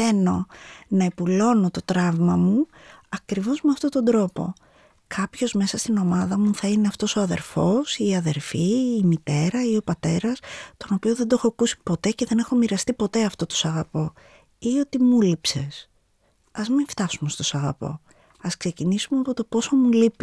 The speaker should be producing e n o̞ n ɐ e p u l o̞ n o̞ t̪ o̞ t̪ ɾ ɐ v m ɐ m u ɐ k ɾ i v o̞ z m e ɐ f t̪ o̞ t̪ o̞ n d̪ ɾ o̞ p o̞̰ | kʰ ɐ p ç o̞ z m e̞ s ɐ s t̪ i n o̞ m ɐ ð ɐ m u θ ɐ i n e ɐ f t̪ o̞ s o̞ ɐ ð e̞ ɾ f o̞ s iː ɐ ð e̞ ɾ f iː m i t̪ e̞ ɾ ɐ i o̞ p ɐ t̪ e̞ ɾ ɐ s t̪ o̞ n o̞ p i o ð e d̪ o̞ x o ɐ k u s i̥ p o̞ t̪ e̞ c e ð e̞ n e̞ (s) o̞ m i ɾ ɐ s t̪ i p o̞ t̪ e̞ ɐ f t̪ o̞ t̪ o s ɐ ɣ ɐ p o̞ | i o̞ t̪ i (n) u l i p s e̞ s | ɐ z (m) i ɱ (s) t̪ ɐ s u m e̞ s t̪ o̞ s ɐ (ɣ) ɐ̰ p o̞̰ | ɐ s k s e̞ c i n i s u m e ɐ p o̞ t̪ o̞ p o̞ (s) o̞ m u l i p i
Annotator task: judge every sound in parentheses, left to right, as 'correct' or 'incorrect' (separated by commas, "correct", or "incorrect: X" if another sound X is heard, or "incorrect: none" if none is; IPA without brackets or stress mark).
incorrect: x, incorrect: m, correct, incorrect: f, correct, correct